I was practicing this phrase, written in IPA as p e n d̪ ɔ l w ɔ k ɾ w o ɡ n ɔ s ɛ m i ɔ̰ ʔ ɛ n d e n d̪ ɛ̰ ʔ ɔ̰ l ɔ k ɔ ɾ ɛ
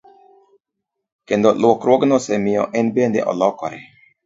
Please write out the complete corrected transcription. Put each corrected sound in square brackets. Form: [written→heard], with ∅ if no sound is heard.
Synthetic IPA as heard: [p→k] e n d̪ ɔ l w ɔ k ɾ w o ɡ n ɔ s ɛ m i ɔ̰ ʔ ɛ n [d→b] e n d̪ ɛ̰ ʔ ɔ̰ l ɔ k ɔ ɾ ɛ